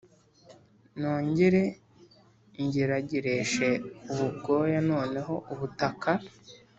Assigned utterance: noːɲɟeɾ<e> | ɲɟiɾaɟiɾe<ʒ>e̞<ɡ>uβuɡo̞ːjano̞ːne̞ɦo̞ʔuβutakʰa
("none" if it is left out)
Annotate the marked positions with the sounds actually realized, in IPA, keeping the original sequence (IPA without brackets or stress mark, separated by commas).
e, ʃ, none